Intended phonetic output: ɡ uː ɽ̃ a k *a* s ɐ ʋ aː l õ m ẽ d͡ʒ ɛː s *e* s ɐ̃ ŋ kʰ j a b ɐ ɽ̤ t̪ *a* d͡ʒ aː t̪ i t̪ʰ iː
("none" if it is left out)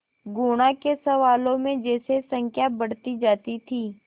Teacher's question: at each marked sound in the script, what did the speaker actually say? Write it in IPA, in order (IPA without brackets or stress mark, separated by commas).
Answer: e, e, i